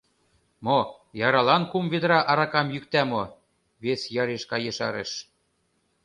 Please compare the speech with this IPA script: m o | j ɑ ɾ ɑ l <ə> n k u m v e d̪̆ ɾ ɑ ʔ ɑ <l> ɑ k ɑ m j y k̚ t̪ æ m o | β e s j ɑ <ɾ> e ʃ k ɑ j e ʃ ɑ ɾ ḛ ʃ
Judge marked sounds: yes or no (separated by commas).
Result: no, no, yes